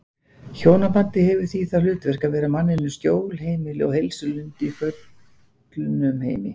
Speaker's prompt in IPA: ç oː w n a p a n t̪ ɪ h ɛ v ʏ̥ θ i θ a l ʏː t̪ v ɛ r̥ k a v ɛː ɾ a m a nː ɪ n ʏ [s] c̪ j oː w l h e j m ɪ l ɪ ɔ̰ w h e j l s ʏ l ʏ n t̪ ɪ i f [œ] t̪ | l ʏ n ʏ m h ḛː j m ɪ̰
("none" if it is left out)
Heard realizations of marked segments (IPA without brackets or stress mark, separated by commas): s, œ